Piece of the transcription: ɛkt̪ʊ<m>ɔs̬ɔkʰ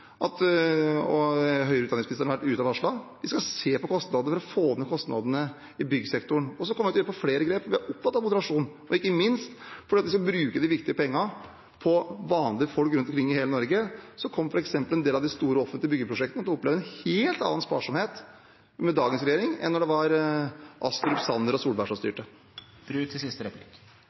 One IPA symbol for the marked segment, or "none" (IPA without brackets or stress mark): ɳ